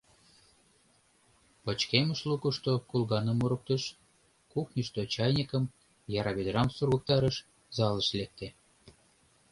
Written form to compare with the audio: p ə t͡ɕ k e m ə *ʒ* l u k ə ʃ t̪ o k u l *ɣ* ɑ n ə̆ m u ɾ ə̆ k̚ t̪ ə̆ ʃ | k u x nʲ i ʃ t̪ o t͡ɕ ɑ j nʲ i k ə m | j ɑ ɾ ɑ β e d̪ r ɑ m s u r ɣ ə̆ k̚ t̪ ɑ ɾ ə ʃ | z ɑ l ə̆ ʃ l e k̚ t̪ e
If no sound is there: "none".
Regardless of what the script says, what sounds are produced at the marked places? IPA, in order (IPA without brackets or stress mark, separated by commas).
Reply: ʃ, ɣ